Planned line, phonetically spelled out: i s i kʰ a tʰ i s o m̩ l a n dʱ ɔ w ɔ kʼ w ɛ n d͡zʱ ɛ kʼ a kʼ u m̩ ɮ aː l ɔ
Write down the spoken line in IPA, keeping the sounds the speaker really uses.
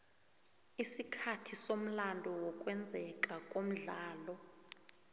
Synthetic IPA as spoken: i s i kʰ a tʰ i s o m̩ l a n dʱ ɔ w ɔ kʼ w ɛ n d͡zʱ ɛ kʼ a kʼ o m̩ ɮ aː l ɔ